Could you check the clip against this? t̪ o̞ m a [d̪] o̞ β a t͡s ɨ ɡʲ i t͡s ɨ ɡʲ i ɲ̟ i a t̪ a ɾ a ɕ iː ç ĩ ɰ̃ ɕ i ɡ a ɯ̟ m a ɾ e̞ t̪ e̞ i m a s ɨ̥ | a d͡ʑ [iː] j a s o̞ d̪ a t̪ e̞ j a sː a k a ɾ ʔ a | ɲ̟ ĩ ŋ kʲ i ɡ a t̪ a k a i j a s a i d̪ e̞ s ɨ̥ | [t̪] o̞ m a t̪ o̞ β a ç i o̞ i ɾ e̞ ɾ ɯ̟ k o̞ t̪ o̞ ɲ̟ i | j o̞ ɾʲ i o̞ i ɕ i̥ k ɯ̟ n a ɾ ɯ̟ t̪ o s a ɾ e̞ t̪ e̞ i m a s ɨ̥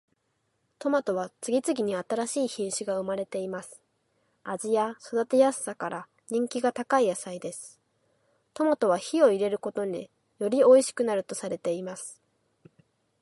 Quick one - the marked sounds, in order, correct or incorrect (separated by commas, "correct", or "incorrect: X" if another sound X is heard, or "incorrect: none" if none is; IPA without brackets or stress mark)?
incorrect: t̪, incorrect: i, correct